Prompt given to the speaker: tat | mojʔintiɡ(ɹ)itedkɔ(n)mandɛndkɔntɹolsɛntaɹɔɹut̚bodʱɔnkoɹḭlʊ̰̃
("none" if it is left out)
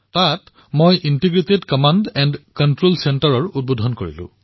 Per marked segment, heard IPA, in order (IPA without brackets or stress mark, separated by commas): ɹ, none